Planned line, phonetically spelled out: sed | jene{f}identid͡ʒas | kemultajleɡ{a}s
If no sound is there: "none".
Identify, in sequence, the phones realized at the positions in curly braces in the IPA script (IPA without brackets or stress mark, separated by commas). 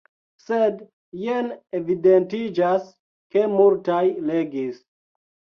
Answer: v, i